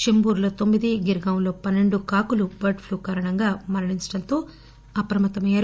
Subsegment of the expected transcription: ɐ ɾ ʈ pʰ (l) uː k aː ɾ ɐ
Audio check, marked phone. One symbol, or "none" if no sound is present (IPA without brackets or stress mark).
l